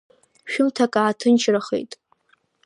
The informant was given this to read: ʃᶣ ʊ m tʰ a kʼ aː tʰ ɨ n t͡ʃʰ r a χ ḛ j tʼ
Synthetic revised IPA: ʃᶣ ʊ m tʰ a kʼ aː tʰ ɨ n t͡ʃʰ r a χ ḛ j tʼ